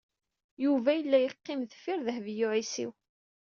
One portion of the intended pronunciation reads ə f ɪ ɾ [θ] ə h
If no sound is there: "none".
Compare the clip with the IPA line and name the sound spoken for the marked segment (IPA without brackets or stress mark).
ð